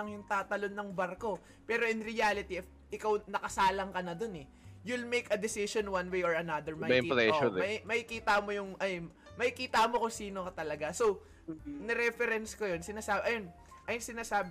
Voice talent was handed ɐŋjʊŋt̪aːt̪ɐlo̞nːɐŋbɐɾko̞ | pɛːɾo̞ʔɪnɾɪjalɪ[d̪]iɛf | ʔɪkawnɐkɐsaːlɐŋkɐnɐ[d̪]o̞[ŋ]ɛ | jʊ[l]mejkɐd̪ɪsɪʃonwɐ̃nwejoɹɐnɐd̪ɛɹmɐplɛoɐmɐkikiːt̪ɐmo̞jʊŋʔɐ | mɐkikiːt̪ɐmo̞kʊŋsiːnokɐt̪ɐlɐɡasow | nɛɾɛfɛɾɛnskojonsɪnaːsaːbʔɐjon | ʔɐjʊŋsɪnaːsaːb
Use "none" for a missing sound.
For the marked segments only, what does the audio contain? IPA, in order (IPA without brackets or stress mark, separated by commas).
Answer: t̪, d̪, n, l